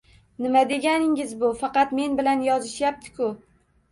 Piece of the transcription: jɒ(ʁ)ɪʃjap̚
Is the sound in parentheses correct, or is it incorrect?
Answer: incorrect: z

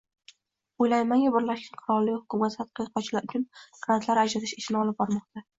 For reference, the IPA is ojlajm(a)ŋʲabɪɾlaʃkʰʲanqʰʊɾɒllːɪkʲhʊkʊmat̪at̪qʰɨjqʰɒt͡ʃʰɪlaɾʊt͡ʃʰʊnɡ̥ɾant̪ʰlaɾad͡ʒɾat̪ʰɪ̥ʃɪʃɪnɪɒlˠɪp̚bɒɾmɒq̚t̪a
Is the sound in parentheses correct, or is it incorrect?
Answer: correct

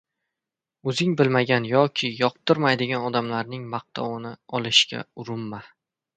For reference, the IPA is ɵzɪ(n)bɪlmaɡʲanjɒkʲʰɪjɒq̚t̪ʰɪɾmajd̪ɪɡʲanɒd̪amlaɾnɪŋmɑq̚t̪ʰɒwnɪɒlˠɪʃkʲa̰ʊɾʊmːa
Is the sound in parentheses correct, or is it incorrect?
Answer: incorrect: ŋ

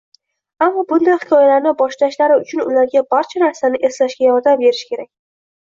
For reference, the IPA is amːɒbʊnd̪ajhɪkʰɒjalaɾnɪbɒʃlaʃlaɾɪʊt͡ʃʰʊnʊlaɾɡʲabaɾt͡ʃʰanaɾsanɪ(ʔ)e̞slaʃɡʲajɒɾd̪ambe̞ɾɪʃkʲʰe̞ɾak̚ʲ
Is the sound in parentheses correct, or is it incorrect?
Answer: correct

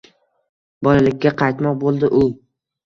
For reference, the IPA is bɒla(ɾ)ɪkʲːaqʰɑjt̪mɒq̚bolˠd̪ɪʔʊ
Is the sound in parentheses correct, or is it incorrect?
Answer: incorrect: l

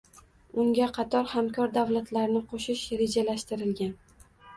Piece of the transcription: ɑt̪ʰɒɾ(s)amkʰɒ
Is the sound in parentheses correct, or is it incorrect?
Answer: incorrect: h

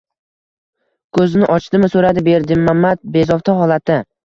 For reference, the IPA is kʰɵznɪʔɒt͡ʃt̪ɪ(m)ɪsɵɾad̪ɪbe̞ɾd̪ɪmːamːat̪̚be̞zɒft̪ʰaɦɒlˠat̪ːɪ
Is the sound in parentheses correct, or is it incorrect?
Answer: correct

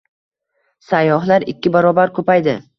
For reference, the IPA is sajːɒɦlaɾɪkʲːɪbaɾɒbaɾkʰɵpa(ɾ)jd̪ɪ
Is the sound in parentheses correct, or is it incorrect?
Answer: incorrect: none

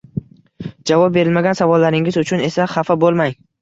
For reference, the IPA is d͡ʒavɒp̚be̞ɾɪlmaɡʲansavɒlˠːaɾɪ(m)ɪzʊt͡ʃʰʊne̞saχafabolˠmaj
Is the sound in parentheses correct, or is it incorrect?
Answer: incorrect: ŋ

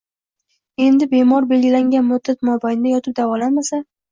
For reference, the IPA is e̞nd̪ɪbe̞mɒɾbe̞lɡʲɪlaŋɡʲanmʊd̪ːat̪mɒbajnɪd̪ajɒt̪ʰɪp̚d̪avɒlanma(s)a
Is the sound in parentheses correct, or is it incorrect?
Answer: correct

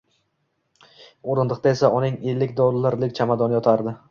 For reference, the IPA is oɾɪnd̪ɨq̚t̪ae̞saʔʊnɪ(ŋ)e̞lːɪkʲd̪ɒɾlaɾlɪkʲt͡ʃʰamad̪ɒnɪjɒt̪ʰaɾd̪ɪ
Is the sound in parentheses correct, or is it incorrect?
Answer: correct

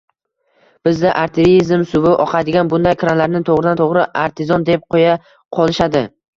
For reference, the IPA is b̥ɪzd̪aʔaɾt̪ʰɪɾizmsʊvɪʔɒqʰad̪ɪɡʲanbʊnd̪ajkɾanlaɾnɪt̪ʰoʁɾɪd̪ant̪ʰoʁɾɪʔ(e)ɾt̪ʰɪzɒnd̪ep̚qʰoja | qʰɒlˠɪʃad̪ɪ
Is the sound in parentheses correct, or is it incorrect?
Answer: incorrect: a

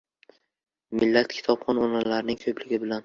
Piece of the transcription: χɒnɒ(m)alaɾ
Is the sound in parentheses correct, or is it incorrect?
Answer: incorrect: n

